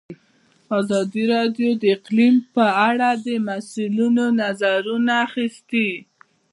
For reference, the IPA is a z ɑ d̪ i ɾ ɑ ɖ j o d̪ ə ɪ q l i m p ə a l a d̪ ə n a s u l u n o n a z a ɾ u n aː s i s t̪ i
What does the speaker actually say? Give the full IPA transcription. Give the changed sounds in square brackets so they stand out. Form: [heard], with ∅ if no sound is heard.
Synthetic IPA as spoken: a z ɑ d̪ i ɾ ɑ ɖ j o d̪ ə ɪ q l i m p ə a [ɽ] a d̪ ə [m] a s u l u n o n a z a ɾ u n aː [x] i s t̪ i